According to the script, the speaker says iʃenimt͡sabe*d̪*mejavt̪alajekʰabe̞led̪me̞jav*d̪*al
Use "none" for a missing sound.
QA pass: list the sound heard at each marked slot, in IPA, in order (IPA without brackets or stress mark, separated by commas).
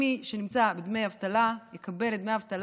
d̪, t̪